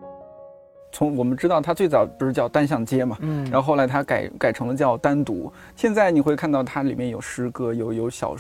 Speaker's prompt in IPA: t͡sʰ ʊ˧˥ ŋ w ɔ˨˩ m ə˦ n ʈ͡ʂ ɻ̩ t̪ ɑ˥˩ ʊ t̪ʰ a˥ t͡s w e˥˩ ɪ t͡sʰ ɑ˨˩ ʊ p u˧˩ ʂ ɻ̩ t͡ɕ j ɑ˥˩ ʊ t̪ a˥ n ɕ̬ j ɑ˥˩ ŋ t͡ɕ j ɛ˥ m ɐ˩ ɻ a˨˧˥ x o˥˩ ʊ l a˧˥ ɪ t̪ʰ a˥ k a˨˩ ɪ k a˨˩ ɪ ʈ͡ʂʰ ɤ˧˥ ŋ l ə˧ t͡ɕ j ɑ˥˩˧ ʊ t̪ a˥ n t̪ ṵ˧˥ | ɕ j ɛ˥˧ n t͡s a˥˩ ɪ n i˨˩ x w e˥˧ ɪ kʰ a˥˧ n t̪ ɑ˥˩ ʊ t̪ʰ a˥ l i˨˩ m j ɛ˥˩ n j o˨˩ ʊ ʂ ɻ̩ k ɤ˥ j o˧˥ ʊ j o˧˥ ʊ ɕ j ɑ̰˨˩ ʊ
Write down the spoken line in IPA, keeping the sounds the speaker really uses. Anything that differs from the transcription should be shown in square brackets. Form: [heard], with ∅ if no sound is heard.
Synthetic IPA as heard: t͡sʰ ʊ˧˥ ŋ w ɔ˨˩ m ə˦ n ʈ͡ʂ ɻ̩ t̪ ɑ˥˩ ʊ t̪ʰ a˥ t͡s w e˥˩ ɪ [t͡s] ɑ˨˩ ʊ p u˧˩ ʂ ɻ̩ t͡ɕ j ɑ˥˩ ʊ t̪ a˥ n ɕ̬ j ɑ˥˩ ŋ t͡ɕ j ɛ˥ m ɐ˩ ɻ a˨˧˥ x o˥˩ ʊ l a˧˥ ɪ t̪ʰ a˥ k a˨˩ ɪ k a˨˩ ɪ ʈ͡ʂʰ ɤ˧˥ ŋ l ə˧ t͡ɕ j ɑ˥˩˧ ʊ t̪ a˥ n t̪ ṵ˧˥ | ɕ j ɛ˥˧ n t͡s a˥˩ ɪ n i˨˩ x w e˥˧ ɪ kʰ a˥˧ n t̪ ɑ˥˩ ʊ t̪ʰ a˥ l i˨˩ m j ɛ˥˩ n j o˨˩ ʊ ʂ ɻ̩ k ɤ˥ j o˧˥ ʊ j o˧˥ ʊ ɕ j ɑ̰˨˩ ʊ